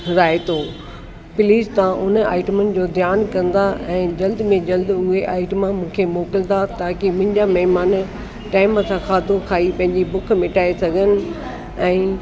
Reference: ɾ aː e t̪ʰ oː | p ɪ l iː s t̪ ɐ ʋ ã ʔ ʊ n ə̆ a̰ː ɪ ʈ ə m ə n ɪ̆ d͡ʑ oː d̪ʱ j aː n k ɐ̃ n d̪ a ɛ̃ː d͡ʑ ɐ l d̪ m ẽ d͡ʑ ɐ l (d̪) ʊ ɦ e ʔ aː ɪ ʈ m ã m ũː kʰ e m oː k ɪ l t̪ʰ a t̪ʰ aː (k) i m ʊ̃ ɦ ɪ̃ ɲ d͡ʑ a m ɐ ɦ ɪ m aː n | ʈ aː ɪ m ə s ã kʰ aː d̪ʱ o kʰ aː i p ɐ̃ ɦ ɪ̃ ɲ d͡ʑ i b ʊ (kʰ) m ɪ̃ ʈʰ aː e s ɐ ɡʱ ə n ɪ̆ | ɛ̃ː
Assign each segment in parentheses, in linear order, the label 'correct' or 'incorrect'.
correct, correct, correct

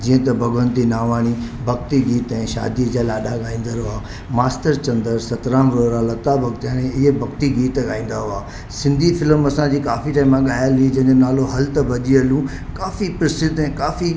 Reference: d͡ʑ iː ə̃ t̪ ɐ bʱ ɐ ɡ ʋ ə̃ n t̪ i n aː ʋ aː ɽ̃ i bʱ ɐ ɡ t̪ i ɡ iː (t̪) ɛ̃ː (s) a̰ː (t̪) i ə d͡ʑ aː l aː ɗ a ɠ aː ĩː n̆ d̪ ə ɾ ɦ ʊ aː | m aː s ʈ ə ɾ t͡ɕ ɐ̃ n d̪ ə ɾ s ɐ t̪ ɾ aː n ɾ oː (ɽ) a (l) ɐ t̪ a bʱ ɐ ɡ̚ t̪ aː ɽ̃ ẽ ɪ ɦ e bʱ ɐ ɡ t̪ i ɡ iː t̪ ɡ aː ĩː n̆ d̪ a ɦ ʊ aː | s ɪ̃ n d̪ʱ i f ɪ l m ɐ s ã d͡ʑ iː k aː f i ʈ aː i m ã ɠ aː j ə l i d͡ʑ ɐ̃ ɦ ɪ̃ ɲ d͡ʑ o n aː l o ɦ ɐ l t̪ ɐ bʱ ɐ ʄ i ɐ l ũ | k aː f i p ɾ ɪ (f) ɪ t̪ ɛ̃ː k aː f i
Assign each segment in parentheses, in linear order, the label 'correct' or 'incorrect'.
correct, incorrect, incorrect, incorrect, correct, incorrect

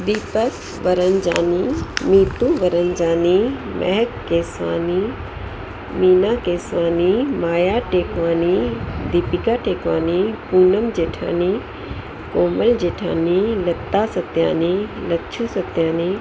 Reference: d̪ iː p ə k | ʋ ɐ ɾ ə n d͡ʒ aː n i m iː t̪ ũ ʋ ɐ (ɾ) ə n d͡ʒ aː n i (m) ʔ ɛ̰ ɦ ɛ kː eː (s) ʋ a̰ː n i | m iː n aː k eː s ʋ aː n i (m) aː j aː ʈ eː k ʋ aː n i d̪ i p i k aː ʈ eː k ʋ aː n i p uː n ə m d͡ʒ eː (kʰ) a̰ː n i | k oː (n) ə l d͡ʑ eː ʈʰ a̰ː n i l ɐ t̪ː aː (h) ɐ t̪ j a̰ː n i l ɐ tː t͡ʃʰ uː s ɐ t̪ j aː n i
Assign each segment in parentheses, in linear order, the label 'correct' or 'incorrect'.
correct, correct, correct, correct, incorrect, incorrect, incorrect

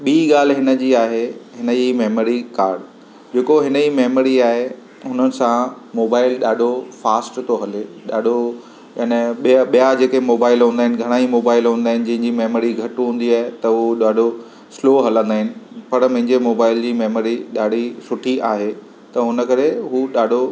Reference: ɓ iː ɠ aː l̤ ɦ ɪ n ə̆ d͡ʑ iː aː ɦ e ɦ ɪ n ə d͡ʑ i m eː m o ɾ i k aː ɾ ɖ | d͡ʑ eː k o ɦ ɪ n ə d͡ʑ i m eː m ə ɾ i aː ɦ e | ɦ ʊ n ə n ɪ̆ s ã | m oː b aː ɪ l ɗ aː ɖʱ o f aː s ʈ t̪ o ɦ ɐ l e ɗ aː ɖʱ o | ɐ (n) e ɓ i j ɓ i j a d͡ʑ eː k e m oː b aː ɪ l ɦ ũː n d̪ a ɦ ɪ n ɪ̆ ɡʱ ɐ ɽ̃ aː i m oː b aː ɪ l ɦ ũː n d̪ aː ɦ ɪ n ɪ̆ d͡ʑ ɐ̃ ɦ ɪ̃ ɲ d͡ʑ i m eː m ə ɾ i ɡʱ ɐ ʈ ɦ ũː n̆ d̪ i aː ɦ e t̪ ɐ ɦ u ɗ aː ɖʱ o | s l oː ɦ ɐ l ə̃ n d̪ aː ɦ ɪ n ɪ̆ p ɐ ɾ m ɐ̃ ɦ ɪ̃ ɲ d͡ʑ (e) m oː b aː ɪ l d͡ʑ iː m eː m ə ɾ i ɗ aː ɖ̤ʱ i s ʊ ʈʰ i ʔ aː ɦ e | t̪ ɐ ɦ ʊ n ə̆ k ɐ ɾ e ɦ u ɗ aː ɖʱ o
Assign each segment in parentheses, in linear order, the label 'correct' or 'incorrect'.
correct, correct

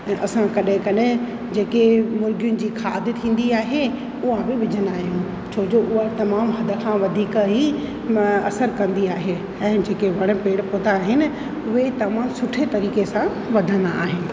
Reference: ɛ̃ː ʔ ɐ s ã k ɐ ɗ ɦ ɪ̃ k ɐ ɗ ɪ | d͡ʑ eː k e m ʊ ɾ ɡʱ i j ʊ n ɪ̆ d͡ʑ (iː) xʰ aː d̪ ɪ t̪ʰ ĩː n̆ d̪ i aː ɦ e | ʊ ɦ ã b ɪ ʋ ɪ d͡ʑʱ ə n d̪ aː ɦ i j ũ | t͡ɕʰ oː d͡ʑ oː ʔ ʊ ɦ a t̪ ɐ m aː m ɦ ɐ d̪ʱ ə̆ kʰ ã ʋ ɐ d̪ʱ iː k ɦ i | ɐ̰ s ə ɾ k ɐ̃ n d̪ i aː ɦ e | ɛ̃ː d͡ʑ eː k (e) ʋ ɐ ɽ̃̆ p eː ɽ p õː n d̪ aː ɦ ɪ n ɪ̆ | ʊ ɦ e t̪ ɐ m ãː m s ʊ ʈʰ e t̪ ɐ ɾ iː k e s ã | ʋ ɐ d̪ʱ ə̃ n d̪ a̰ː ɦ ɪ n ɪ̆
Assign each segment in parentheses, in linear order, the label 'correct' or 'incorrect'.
correct, correct

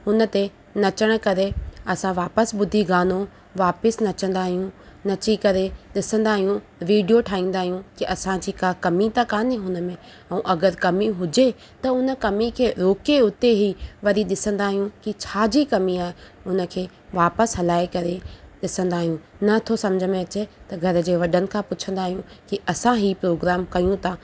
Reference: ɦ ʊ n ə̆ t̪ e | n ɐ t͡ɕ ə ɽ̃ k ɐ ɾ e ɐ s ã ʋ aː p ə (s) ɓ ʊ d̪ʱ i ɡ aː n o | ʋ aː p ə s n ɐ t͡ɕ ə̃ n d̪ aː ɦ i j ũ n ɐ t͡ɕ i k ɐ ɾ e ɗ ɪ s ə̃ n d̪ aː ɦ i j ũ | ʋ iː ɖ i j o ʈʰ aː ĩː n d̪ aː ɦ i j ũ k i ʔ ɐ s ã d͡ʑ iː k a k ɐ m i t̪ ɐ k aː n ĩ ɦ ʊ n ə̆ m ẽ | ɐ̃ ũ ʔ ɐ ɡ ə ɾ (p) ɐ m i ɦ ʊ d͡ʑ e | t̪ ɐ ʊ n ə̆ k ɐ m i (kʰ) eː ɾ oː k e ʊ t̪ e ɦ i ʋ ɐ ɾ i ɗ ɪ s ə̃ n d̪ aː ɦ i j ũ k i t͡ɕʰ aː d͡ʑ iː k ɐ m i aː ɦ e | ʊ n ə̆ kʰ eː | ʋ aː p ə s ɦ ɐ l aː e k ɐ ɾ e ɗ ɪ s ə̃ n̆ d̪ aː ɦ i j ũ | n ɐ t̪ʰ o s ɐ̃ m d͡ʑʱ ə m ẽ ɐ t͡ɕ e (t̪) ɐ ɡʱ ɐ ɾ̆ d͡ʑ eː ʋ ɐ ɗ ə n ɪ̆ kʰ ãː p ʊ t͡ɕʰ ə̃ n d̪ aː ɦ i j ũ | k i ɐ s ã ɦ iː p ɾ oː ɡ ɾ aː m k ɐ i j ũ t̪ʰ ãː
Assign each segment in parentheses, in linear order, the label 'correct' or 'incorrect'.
correct, incorrect, correct, correct

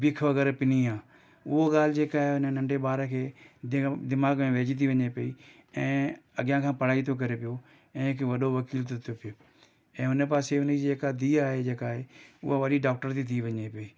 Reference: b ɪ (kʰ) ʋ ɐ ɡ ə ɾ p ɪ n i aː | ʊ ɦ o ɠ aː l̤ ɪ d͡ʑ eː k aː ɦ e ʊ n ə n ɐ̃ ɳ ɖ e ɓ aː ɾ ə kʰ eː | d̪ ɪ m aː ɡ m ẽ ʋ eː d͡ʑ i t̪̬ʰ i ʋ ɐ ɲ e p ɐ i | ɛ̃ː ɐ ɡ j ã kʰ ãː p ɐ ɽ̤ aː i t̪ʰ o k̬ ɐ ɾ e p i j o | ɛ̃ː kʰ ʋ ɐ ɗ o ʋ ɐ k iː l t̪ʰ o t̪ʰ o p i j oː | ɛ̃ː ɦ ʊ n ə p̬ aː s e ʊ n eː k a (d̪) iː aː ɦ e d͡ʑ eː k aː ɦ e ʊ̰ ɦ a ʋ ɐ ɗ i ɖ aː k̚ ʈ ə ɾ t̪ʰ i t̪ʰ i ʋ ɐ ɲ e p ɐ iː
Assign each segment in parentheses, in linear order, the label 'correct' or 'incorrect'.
correct, correct

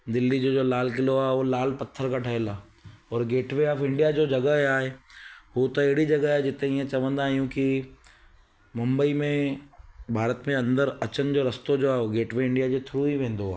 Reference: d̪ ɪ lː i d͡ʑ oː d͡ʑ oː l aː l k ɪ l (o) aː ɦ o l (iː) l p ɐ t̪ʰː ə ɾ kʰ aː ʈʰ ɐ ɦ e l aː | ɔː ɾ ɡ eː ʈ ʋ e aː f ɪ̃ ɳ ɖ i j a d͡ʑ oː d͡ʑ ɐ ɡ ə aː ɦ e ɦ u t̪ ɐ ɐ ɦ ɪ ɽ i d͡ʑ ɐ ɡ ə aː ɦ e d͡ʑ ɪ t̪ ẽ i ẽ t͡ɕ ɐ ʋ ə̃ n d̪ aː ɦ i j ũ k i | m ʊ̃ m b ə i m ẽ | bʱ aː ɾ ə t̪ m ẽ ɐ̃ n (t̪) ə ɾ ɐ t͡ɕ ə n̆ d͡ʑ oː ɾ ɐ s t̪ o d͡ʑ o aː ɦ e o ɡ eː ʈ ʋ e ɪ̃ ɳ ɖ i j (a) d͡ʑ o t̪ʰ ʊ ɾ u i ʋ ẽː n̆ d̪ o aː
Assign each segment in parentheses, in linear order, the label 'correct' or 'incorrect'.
correct, incorrect, incorrect, correct

